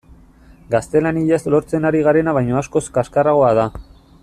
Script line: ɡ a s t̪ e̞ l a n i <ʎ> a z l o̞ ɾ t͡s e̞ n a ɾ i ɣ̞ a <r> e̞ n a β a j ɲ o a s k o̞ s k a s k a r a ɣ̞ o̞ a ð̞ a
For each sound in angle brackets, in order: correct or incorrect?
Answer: correct, incorrect

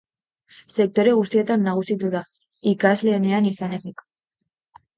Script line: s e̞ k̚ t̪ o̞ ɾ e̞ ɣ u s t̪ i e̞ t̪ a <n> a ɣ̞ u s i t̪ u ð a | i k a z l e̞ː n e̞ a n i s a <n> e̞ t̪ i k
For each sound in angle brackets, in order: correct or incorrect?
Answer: incorrect, correct

